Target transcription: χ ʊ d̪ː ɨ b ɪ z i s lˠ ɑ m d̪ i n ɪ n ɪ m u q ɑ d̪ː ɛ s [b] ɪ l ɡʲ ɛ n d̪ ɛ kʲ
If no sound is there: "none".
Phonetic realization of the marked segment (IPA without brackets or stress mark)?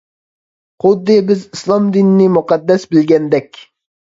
b